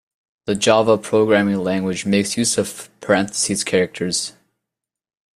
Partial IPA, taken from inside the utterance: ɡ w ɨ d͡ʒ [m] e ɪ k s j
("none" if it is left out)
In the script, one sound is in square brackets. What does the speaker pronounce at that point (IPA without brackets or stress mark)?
m